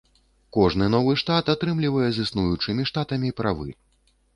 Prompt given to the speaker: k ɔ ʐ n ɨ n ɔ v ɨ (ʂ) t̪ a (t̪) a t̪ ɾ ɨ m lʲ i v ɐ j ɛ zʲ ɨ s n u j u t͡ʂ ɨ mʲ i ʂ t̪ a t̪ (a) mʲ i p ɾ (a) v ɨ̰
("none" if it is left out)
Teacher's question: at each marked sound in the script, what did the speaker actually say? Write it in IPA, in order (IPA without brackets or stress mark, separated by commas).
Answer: ʂ, t̪, ɐ, a